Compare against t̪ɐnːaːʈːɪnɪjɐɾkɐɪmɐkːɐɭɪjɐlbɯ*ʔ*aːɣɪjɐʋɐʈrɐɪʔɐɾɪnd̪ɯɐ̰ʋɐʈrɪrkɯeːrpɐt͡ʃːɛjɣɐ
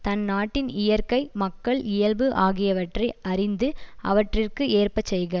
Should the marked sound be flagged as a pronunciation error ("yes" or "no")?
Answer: no